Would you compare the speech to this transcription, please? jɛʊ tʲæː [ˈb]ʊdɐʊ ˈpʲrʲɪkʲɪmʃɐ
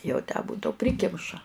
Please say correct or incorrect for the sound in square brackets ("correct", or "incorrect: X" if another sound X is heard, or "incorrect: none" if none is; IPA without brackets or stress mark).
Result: correct